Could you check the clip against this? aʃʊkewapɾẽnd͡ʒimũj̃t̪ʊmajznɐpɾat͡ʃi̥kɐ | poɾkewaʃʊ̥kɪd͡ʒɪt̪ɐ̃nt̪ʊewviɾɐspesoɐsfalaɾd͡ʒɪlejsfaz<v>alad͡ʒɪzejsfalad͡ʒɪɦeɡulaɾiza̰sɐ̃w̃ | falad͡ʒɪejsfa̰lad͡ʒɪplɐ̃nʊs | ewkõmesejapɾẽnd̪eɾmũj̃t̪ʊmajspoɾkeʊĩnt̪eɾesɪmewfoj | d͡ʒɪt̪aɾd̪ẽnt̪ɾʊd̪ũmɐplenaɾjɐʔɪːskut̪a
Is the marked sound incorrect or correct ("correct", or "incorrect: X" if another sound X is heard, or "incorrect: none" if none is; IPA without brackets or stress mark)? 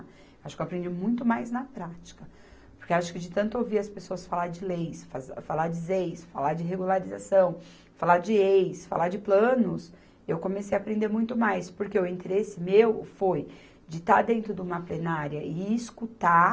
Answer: incorrect: f